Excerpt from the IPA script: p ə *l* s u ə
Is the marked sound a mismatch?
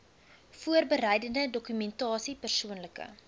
yes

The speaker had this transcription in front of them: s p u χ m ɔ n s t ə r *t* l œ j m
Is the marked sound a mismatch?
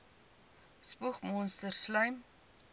yes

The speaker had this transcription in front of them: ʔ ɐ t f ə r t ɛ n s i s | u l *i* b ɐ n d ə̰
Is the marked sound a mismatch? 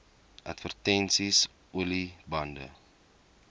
no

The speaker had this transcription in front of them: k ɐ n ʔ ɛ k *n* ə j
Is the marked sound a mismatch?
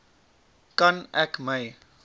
yes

